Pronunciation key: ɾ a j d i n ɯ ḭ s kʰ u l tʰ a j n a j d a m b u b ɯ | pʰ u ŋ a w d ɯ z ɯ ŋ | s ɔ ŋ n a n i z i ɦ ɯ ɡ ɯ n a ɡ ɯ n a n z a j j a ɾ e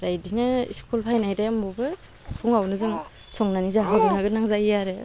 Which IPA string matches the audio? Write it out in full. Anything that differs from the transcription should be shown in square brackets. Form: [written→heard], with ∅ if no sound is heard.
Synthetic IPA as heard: ɾ a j d i n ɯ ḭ s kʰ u l [tʰ→pʰ] a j n a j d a m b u b ɯ | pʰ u ŋ a w [d→n] ɯ z ɯ ŋ | s ɔ ŋ n a n i z [i→a] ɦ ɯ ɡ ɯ n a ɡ ɯ n a [n→ŋ] z a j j a ɾ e